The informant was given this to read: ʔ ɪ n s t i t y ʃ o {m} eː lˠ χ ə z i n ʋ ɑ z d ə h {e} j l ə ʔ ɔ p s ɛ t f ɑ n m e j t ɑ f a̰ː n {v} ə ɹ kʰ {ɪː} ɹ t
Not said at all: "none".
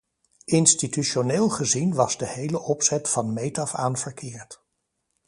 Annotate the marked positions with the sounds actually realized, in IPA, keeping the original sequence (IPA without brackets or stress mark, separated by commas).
n, e, v, ɪː